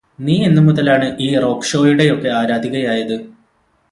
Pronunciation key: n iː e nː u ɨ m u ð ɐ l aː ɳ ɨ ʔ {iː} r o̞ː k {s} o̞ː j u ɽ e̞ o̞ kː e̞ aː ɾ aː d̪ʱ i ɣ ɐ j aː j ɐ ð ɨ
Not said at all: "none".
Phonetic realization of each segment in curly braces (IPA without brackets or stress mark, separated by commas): iː, ʂ